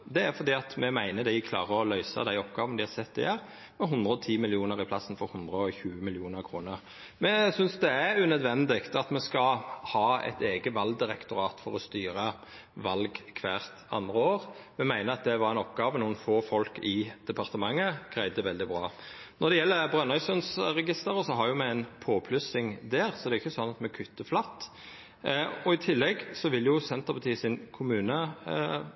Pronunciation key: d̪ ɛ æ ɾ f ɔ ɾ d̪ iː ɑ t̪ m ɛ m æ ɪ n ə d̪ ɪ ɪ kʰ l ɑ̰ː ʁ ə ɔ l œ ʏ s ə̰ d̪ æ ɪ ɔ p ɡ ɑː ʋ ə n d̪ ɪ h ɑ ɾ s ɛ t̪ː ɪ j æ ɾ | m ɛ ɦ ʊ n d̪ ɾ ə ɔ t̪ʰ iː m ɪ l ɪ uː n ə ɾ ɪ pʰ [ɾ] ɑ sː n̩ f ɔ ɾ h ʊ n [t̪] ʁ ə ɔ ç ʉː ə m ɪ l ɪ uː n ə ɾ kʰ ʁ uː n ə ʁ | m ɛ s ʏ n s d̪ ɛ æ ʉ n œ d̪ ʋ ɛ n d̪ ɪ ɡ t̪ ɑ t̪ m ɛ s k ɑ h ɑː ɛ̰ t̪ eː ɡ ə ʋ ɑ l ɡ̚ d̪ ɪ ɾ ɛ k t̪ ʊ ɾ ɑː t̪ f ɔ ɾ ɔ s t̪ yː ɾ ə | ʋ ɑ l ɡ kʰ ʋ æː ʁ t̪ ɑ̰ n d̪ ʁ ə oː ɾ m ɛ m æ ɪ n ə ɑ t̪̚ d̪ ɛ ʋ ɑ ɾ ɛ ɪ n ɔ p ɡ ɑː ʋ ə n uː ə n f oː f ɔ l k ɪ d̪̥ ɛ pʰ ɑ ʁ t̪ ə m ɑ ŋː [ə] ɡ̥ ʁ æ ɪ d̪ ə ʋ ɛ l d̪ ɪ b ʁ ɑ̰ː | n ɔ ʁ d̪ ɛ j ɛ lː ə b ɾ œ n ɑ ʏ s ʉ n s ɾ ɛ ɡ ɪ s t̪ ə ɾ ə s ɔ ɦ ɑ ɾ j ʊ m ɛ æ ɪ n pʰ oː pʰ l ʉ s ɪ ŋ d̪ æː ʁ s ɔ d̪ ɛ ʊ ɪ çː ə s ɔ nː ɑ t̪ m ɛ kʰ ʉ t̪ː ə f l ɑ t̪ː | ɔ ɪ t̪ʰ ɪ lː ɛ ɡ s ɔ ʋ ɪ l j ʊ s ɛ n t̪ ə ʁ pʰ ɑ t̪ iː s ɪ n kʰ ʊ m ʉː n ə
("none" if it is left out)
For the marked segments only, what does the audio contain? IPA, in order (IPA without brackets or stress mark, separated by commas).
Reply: l, d̪, ə